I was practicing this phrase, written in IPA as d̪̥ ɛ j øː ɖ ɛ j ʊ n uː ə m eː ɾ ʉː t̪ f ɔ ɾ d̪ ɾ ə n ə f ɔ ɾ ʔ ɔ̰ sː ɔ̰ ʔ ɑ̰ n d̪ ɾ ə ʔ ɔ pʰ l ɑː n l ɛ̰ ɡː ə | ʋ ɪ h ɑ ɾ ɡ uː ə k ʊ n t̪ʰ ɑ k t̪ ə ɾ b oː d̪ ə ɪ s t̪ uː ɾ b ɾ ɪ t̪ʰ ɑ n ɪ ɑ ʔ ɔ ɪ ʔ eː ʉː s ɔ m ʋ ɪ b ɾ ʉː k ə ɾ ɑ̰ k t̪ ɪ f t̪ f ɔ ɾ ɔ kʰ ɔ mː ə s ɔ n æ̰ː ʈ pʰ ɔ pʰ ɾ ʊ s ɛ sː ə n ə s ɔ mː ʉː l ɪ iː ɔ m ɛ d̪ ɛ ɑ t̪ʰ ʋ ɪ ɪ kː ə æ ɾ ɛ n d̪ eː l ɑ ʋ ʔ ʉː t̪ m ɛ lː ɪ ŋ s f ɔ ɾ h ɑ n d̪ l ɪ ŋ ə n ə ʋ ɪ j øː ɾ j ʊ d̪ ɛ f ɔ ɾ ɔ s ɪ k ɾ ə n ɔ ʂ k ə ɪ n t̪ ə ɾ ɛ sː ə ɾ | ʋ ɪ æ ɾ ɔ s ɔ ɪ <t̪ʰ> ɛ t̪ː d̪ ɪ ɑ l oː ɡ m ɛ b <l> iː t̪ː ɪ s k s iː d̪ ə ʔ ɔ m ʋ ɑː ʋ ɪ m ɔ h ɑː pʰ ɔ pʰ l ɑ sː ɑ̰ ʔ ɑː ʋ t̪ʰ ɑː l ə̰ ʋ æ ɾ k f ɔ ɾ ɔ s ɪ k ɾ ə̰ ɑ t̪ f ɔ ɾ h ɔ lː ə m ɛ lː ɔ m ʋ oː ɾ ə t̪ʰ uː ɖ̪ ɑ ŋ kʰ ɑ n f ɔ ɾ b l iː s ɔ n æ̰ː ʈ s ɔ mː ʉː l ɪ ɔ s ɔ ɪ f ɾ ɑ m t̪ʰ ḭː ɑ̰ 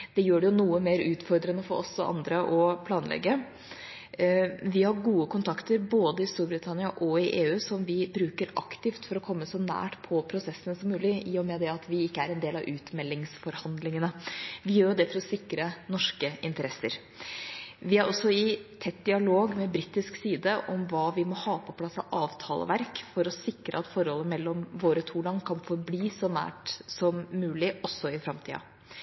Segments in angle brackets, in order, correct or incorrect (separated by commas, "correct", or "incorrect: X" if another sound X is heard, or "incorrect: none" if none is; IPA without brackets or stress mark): correct, incorrect: ɾ